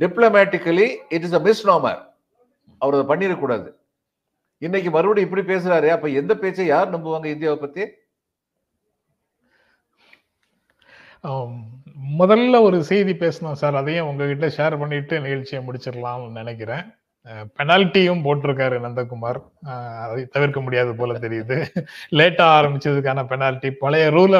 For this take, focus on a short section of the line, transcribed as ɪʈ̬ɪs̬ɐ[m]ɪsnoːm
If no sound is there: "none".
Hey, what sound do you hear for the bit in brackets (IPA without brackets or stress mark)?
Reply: m